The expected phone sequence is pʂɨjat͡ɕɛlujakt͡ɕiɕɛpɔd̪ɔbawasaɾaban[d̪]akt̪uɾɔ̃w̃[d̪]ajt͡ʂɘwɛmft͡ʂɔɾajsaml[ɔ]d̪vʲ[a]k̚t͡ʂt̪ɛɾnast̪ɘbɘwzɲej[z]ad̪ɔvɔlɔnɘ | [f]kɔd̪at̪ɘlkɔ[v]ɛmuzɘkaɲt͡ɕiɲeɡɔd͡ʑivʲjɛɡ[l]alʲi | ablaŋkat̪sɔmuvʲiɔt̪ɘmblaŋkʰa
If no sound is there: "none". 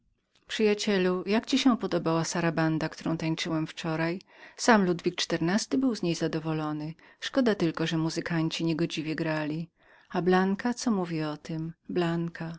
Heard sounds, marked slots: d̪, t̪, u, i, z, ʂ, ʐ, ɾ

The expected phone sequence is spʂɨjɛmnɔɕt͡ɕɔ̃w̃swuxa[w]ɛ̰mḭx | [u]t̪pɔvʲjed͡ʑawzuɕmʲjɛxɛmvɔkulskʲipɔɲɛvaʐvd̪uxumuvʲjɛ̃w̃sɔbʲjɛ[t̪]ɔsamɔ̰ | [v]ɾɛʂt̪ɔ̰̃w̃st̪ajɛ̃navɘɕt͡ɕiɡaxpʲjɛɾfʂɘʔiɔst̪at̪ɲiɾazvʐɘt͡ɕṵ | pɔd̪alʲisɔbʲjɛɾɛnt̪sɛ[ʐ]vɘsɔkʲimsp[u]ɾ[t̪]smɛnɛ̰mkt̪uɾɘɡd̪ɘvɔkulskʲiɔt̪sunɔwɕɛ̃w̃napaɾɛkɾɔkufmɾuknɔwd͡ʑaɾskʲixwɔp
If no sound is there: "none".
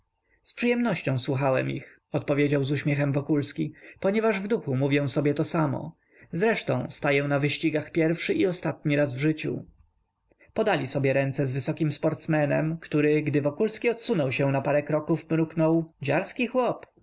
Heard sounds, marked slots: w, ɔ, t̪, z, z, ɔ, t̪

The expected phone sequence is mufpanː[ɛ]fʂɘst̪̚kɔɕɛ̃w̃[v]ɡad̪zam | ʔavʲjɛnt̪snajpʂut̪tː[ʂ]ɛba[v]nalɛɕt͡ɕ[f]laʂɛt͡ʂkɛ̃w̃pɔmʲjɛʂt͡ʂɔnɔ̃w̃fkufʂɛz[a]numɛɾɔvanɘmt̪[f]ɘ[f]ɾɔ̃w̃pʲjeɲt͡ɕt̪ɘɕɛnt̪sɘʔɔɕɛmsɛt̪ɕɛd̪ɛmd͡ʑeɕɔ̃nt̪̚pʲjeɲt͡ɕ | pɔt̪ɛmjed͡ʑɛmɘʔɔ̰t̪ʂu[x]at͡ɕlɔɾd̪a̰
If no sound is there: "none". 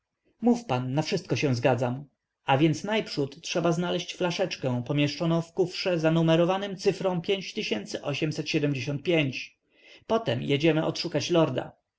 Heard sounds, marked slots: a, z, ʂ, z, f, a, s, f, k

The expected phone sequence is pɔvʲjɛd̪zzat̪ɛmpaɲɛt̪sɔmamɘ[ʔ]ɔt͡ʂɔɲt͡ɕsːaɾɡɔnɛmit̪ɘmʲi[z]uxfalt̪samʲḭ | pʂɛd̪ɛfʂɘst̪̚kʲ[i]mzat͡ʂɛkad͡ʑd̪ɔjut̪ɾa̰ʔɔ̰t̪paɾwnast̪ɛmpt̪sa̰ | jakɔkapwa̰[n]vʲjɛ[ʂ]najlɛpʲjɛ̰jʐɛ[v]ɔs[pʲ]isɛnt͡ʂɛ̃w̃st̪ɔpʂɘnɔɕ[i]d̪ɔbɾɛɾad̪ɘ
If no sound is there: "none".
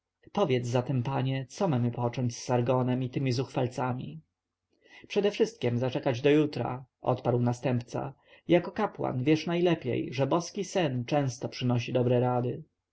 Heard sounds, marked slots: p, z, ɛ, n, ʂ, b, kʲ, i

